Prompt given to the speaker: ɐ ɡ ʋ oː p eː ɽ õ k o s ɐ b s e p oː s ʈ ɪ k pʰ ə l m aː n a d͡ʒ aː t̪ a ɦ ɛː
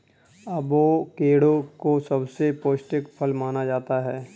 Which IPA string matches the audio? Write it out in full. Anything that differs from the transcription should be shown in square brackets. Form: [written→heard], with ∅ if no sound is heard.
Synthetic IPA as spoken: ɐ [ɡ→b] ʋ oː [p→k] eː ɽ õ k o s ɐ b s e p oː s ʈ ɪ k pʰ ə l m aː n a d͡ʒ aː t̪ a ɦ ɛː